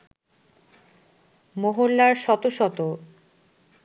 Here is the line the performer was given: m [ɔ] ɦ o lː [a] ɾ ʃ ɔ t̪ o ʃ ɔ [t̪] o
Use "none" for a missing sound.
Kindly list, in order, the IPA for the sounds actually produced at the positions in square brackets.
o, a, t̪

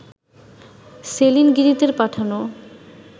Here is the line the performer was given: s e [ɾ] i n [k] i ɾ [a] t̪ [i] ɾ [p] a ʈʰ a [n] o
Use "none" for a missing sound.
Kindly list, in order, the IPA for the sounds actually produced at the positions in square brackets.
l, ɡ, i, e, p, n

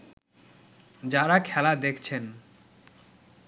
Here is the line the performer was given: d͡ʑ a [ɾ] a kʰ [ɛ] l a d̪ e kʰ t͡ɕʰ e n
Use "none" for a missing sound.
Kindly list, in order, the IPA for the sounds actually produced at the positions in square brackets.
ɾ, ɛ

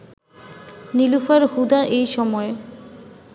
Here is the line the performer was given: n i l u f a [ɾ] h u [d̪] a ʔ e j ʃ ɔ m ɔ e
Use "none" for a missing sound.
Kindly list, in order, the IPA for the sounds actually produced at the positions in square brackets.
ɾ, d̪

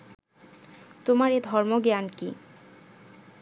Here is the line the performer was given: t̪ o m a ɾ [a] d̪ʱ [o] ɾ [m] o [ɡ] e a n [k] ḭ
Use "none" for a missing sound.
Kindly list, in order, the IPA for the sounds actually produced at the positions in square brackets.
e, ɔ, m, ɡ, k

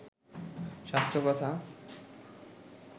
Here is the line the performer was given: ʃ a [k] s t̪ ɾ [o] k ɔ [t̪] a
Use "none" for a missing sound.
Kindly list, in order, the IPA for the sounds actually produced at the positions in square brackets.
none, o, t̪ʰ

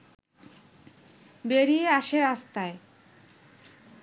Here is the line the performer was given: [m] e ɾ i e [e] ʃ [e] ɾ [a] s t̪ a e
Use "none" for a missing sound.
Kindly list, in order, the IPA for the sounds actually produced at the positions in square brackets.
b, a, e, a

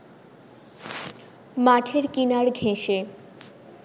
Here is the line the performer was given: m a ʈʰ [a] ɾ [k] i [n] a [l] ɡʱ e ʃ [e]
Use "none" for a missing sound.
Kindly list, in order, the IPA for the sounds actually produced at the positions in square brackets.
e, k, n, ɾ, e

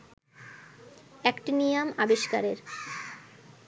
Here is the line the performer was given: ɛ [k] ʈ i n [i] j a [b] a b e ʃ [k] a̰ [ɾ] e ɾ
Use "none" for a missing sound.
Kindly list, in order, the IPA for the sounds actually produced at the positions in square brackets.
k, i, m, k, ɾ

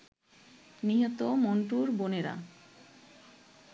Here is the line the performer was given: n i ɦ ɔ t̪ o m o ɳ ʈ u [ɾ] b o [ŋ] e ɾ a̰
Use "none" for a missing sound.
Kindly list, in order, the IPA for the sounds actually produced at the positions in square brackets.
ɾ, n

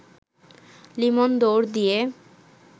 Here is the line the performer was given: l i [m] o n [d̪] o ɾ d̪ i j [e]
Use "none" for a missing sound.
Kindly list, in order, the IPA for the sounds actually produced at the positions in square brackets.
m, d̪, e

